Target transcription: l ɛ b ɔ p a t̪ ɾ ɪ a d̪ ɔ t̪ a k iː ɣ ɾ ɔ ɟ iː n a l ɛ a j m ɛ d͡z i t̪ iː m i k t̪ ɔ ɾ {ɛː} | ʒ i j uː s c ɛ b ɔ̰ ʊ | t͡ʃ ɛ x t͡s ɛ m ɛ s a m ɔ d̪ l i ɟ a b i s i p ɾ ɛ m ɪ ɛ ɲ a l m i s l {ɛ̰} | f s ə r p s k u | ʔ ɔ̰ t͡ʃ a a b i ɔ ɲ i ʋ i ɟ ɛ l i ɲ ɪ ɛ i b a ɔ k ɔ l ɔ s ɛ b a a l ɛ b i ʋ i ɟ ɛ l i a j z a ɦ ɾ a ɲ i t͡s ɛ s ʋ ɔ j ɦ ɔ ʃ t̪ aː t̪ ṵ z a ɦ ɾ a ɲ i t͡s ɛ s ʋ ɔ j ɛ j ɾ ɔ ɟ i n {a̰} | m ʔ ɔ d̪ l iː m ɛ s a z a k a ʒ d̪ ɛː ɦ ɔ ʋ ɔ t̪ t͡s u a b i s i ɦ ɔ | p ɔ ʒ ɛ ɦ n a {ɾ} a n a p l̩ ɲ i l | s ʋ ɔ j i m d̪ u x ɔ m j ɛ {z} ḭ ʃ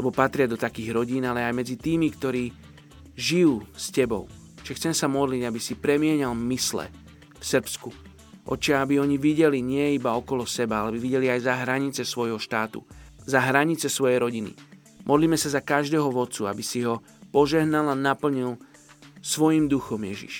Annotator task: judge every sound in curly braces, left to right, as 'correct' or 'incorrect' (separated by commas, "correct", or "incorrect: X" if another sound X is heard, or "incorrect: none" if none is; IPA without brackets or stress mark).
incorrect: iː, correct, incorrect: ḭ, incorrect: l, incorrect: ʒ